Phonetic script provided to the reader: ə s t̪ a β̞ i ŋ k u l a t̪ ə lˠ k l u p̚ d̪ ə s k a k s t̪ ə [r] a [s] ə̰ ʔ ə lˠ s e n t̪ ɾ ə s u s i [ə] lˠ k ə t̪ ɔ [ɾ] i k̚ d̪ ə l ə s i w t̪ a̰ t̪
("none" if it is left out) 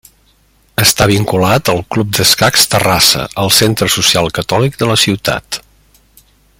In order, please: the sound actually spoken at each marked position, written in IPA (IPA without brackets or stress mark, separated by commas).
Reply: r, s, a, l